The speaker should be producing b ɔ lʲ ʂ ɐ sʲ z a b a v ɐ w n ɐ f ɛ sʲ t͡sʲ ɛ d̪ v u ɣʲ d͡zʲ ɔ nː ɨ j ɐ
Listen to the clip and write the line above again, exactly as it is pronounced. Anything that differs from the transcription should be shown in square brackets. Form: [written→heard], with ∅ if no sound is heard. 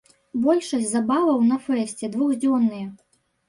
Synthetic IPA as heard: b ɔ lʲ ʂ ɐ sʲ z a b a v ɐ w n ɐ f ɛ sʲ t͡sʲ ɛ d̪ v u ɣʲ d͡zʲ ɔ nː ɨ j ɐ